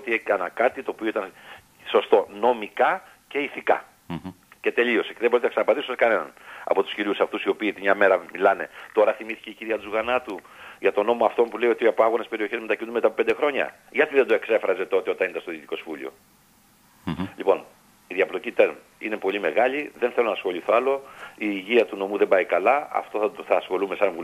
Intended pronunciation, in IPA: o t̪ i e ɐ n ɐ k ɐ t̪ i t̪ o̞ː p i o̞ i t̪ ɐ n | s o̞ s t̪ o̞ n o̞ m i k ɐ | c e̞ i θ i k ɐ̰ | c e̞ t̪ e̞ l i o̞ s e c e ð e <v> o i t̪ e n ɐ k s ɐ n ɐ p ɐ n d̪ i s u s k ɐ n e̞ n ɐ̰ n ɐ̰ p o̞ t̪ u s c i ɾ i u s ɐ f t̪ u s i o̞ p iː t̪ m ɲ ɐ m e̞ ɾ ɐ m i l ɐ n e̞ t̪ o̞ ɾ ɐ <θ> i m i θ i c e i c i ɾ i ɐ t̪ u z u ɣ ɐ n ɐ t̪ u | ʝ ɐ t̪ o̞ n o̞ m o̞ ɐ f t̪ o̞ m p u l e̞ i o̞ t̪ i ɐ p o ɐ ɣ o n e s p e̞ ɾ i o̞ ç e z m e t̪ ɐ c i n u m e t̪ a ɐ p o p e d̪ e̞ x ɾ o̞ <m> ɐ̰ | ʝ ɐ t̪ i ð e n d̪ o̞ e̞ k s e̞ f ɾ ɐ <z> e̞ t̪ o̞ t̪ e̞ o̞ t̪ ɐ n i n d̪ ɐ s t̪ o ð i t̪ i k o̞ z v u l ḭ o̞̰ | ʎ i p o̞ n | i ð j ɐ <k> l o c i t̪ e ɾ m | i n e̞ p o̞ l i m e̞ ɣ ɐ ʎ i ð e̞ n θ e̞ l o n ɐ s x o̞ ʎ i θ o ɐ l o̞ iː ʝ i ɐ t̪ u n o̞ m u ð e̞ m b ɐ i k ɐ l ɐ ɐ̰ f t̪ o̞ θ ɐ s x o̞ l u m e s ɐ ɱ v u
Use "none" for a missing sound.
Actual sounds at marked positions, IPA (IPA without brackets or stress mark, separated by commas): b, θ, ɲ, z, p